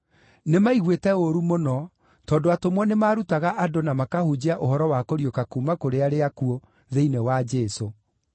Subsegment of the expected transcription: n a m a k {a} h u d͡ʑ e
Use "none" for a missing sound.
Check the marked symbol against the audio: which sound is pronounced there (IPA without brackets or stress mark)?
a